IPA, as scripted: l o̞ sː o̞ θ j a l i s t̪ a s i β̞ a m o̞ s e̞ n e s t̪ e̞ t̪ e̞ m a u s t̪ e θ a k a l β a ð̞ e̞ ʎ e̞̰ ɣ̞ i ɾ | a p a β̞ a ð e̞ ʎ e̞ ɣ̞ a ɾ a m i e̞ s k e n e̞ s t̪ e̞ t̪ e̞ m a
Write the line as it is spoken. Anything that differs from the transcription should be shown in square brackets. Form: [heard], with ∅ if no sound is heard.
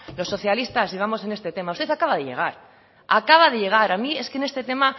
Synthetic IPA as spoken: l o̞ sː o̞ θ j a l i s t̪ a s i β̞ a m o̞ s e̞ n e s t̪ e̞ t̪ e̞ m a u s t̪ e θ a k a [∅] β a ð̞ e̞ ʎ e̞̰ ɣ̞ [a] ɾ | a [k] a β̞ a ð e̞ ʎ e̞ ɣ̞ a ɾ a m i e̞ s k e n e̞ s t̪ e̞ t̪ e̞ m a

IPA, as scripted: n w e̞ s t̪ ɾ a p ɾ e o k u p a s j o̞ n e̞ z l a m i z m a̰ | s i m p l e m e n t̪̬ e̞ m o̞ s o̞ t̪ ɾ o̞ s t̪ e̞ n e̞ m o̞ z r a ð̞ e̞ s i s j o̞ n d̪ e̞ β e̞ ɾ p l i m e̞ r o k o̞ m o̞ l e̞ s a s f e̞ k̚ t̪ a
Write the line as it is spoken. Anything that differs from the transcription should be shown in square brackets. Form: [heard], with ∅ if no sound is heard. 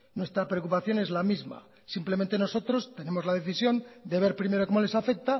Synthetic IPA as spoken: n w e̞ s t̪ ɾ a p ɾ e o k u p a [θ] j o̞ n e̞ z l a m i z m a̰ | s i m p l e m e n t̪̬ e̞ [n] o̞ s o̞ t̪ ɾ o̞ s t̪ e̞ n e̞ m o̞ z [l] a ð̞ e̞ [θ] i s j o̞ n d̪ e̞ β e̞ ɾ p [ɾ] i m e̞ [ɾ] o k o̞ m o̞ l e̞ s a [∅] f e̞ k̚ t̪ a

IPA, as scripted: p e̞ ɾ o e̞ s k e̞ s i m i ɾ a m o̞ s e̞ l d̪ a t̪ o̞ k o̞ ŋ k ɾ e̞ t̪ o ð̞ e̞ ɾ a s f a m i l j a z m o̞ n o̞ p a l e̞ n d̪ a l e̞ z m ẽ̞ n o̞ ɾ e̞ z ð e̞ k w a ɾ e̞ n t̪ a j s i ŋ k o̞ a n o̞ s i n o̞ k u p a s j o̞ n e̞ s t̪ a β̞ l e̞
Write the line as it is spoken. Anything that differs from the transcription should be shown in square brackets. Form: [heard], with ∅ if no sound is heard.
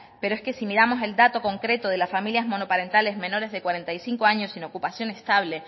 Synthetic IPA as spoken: p e̞ ɾ o e̞ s k e̞ s i m i ɾ a m o̞ s e̞ l d̪ a t̪ o̞ k o̞ ŋ k ɾ e̞ t̪ o ð̞ e̞ [l] a s f a m i l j a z m o̞ n o̞ p a [ɾ] e̞ n [t̪] a l e̞ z m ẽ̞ n o̞ ɾ e̞ z ð e̞ k w a ɾ e̞ n t̪ a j s i ŋ k o̞ a [ɲ] o̞ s i n o̞ k u p a s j o̞ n e̞ s t̪ a β̞ l e̞

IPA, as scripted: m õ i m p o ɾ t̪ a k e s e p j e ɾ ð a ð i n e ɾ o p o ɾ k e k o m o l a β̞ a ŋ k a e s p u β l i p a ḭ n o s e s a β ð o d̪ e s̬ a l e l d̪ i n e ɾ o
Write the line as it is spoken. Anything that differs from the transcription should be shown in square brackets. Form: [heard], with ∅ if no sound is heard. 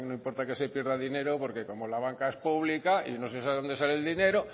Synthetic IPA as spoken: [n] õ i m p o ɾ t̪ a k e s e p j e ɾ ð a ð i n e ɾ o p o ɾ k e k o m o l a β̞ a ŋ k a e s p u β l i [k] a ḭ n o s e s a β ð o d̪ e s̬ a l e l d̪ i n e ɾ o

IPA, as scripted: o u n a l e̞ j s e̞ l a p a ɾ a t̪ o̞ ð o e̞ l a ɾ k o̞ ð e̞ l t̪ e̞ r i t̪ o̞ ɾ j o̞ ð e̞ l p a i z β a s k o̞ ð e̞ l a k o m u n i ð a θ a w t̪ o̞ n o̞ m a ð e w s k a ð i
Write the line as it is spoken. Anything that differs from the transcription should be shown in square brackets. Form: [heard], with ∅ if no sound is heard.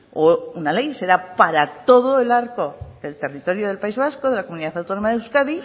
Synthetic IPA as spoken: o u n a l e̞ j s e̞ [ɾ] a p a ɾ a t̪ o̞ ð o e̞ l a ɾ k o̞ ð e̞ l t̪ e̞ r i t̪ o̞ ɾ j o̞ ð e̞ l p a i z β a s k o̞ ð e̞ l a k o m u n i ð a θ a w t̪ o̞ n o̞ m a ð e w s k a ð i

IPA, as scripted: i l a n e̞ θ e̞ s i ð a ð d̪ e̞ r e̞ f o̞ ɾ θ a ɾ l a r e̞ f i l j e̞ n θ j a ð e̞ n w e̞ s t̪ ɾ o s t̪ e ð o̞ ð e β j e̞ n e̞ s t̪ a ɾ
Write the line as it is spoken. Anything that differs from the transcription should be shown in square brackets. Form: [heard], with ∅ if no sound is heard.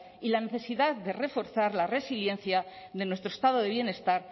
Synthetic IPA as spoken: i l a n e̞ θ e̞ s i ð a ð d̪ e̞ r e̞ f o̞ ɾ θ a ɾ l a r e̞ [s] i l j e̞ n θ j a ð e̞ n w e̞ s t̪ ɾ o s t̪ [a] ð o̞ ð e β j e̞ n e̞ s t̪ a ɾ

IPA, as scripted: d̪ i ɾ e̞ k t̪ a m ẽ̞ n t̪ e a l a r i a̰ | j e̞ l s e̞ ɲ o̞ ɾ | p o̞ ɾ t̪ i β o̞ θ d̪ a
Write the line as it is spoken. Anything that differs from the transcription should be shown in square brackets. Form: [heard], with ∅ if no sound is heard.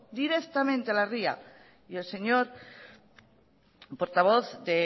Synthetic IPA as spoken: d̪ i ɾ e̞ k t̪ a m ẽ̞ n t̪ e a l a r i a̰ | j e̞ l s e̞ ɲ o̞ ɾ | p o̞ ɾ t̪ [a] β o̞ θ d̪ [e]

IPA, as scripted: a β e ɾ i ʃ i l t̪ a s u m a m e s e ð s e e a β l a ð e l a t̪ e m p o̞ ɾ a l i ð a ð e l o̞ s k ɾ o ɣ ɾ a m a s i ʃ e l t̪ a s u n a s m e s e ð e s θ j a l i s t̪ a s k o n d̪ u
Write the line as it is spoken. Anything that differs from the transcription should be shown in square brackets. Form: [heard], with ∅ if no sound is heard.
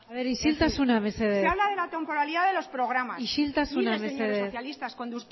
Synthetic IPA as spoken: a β e ɾ i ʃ i l t̪ a s u [n] a m e s e ð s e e a β l a ð e l a t̪ e m p o̞ ɾ a l i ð a ð e l o̞ s [p] ɾ o ɣ ɾ a m a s i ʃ [i] l t̪ a s u n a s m e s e ð e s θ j a l i s t̪ a s k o n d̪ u

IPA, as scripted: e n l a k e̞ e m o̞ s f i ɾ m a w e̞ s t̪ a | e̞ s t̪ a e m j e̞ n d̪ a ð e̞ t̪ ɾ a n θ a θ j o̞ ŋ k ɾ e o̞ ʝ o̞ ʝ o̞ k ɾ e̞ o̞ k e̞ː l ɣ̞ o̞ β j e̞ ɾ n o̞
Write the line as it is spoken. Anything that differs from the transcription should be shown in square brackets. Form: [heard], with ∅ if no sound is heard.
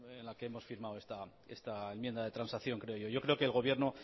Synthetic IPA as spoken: e n l a k e̞ e m o̞ s f i ɾ m a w e̞ s t̪ a | e̞ s t̪ a e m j e̞ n d̪ a ð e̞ t̪ ɾ a n [s] a θ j o̞ ŋ k ɾ e o̞ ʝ o̞ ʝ o̞ k ɾ e̞ o̞ k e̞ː l ɣ̞ o̞ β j e̞ ɾ n o̞

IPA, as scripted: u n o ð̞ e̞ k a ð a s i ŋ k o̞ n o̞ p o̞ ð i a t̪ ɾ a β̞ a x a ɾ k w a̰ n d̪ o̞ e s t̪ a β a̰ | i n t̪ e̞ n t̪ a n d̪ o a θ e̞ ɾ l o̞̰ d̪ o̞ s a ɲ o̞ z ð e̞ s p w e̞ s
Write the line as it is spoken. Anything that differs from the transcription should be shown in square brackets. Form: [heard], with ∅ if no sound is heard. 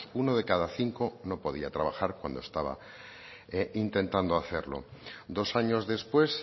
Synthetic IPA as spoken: u n o ð̞ e̞ k a ð a [θ] i ŋ k o̞ n o̞ p o̞ ð i a t̪ ɾ a β̞ a x a ɾ k w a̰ n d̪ o̞ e s t̪ a β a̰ | i n t̪ e̞ n t̪ a n d̪ o a θ e̞ ɾ l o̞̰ d̪ o̞ s a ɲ o̞ z ð e̞ s p w e̞ s

